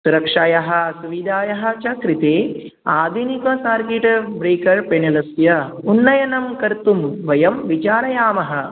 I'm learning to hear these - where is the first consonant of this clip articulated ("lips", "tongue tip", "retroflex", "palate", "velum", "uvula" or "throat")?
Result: tongue tip